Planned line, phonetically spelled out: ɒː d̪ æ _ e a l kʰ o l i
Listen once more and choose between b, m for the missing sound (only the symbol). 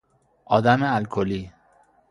m